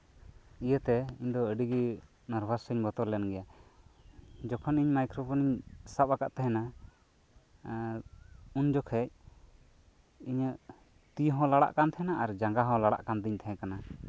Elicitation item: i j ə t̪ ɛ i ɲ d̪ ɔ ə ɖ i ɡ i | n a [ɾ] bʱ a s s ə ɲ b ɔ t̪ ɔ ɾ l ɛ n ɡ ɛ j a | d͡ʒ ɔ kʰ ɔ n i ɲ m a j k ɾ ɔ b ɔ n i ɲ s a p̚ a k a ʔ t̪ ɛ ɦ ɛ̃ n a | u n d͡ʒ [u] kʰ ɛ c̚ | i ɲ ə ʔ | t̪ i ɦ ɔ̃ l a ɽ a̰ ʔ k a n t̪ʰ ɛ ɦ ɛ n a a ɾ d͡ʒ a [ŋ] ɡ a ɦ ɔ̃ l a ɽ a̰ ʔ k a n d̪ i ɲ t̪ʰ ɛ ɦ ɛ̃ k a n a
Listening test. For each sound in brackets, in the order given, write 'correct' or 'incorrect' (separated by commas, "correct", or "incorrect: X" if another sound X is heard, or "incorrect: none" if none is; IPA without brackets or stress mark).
correct, incorrect: ɔ, correct